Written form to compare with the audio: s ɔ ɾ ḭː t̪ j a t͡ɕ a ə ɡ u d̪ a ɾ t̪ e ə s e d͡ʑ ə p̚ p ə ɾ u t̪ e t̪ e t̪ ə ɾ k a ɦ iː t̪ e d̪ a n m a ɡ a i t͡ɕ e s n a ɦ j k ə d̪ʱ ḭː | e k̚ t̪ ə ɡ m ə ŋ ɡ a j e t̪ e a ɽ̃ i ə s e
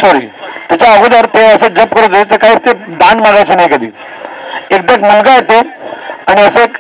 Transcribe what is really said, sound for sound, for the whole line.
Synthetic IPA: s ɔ ɾ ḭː t̪ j a t͡ɕ a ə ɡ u d̪ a ɾ t̪ e ə s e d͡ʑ ə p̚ k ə ɾ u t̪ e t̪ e t̪ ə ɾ k a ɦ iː t̪ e d̪ a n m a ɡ a j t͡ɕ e n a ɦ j k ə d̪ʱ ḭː | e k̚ d̪ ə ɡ m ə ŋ ɡ a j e t̪ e a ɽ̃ i ə s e